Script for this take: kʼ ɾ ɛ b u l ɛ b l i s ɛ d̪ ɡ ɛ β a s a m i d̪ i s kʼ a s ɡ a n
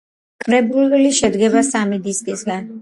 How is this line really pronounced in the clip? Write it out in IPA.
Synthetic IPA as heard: kʼ ɾ ɛ b u l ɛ l i ʃ ɛ d̪ ɡ ɛ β a s a m i d̪ i s kʼ i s ɡ a n

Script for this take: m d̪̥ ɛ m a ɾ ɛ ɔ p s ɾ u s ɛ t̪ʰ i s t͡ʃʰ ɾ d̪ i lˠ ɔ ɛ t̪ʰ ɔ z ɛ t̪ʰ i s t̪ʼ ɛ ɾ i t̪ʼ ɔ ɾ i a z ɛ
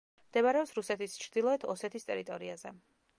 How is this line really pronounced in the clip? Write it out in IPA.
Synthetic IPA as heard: m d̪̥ ɛ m a ɾ ɛ ɔ p s ɾ u s ɛ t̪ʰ i s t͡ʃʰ ɾ d̪ i lˠ ɔ ɛ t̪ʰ ɔ s ɛ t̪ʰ i s t̪ʼ ɛ ɾ i t̪ʼ ɔ ɾ i a z ɛ

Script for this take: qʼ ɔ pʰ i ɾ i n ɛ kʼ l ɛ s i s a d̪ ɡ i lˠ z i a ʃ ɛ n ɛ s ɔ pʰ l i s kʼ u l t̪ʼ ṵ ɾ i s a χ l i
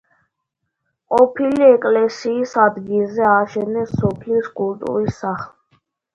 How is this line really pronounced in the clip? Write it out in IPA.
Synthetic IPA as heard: qʼ ɔ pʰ i l i ɛ kʼ l ɛ s iː s a d̪ ɡ i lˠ z ɛ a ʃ ɛ n ɛ s ɔ pʰ l i s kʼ u l t̪ʼ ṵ ɾ i s a χ l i

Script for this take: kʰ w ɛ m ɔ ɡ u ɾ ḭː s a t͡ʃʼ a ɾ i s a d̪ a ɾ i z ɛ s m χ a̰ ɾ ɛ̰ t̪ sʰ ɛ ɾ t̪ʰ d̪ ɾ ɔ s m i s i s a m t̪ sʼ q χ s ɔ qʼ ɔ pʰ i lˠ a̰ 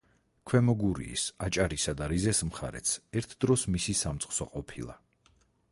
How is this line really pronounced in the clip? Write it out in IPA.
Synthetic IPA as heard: kʰ w ɛ m ɔ ɡ u ɾ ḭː s a t͡ʃʼ a ɾ i s a d̪ a ɾ i z ɛ s m χ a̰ ɾ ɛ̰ t̪ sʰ ɛ ɾ t̪ʰ d̪ ɾ ɔ s m i s i s a m t̪ sʼ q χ s ɔ qʼ ɔ pʰ i lˠ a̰

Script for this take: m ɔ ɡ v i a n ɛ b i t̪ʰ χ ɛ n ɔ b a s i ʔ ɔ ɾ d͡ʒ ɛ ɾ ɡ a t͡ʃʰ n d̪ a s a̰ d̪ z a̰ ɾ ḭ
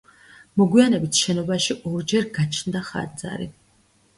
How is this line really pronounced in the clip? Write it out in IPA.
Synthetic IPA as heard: m ɔ ɡ w i a n ɛ b i t̪ʰ ʃ ɛ n ɔ b a ʃ i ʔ ɔ ɾ d͡ʒ ɛ ɾ ɡ a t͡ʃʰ n d̪ a χ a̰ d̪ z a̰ ɾ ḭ

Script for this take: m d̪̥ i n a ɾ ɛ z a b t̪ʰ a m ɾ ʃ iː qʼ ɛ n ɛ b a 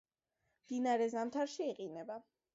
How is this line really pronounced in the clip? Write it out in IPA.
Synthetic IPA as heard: m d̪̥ i n a ɾ ɛ z a m t̪ʰ a ɾ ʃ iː qʼ i n ɛ b a

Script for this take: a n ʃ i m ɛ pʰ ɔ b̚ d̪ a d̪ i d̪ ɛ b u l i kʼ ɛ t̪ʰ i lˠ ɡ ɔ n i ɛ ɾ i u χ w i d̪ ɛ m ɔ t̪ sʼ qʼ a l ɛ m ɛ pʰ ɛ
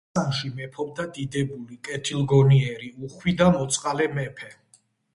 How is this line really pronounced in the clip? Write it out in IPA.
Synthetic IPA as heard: a n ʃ i m ɛ pʰ ɔ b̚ d̪ a d̪ i d̪ ɛ b u l i kʼ ɛ t̪ʰ i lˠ ɡ ɔ n i ɛ ɾ i u χ w i d̪ a m ɔ t̪ sʼ qʼ a l ɛ m ɛ pʰ ɛ

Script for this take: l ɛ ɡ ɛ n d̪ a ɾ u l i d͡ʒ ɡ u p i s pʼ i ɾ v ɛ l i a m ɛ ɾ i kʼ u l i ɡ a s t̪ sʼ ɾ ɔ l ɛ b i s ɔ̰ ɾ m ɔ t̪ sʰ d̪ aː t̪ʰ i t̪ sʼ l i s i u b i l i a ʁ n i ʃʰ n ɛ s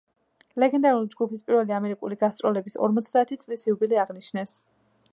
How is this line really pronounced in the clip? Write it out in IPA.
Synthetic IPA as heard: l ɛ ɡ ɛ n d̪ a ɾ u l i d͡ʒ ɡ u p i s pʼ i ɾ v ɛ l i a m ɛ ɾ i kʼ u l i ɡ a s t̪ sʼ ɾ ɔ l ɛ b i s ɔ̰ ɾ m ɔ t̪ sʰ d̪ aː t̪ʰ i t̪ sʼ l i s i u b i l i a ʁ n i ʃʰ n ɛ s

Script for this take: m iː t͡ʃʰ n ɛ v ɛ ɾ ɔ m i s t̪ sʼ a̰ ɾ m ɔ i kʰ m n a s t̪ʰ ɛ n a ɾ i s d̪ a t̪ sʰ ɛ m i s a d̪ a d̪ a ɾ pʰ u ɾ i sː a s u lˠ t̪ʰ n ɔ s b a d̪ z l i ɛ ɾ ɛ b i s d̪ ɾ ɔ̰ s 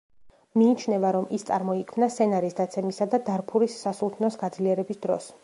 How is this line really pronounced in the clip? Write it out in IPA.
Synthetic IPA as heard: m iː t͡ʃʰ n ɛ v a ɾ ɔ m i s t̪ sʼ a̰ ɾ m ɔ i kʰ m n a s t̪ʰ ɛ n a ɾ i s d̪ a t̪ sʰ ɛ m i s a d̪ a d̪ a ɾ pʰ u ɾ i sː a s u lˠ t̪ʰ n ɔ s ɡ a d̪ z l i ɛ ɾ ɛ b i s d̪ ɾ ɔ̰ s

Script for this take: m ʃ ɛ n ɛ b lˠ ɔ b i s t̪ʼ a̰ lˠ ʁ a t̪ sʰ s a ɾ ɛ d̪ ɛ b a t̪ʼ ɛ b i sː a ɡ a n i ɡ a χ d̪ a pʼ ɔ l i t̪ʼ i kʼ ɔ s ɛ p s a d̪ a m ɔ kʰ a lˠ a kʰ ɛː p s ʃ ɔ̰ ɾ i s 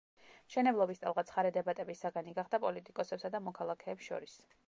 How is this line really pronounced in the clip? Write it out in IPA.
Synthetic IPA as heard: m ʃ ɛ n ɛ b lˠ ɔ b i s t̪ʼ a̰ lˠ ʁ a t̪ sʰ χ a ɾ ɛ d̪ ɛ b a t̪ʼ ɛ b i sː a ɡ a n i ɡ a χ d̪ a pʼ ɔ l i t̪ʼ i kʼ ɔ s ɛ p s a d̪ a m ɔ kʰ a lˠ a kʰ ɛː p s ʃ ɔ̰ ɾ i s

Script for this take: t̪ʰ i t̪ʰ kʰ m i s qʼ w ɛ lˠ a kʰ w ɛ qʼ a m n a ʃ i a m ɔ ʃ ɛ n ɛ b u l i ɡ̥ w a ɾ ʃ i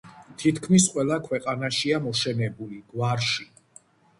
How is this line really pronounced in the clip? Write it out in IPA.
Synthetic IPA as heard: t̪ʰ i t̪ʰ kʰ m i s qʼ w ɛ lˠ a kʰ w ɛ qʼ a n a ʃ i a m ɔ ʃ ɛ n ɛ b u l i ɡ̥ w a ɾ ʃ i

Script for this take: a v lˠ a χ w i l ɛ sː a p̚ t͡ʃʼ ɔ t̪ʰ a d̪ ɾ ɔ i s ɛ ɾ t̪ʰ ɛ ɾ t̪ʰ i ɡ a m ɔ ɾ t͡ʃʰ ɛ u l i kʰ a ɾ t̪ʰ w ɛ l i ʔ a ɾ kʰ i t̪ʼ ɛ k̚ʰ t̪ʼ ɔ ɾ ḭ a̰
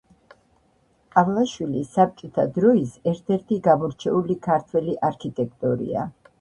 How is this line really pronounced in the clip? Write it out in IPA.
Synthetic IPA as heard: a v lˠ a ʃ w i l i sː a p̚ t͡ʃʼ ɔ t̪ʰ a d̪ ɾ ɔ i s ɛ ɾ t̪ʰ ɛ ɾ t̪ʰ i ɡ a m ɔ ɾ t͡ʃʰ ɛ u l i kʰ a ɾ t̪ʰ w ɛ l i ʔ a ɾ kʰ i t̪ʼ ɛ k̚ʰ t̪ʼ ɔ ɾ ḭ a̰

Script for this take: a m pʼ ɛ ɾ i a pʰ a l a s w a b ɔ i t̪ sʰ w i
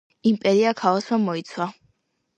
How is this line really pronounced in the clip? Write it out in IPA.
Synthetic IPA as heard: i m pʼ ɛ ɾ i a kʰ a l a s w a m ɔ i t̪ sʰ w a

